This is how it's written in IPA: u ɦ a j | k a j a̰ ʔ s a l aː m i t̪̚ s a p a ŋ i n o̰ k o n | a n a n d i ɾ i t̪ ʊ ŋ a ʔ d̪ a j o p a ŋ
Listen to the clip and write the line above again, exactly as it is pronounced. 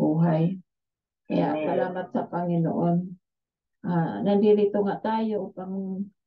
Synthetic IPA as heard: u ɦ a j | k a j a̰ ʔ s a l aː m a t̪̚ s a p a ŋ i n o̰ ʔ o n | a n a n d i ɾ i t̪ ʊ ŋ a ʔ t̪ a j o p a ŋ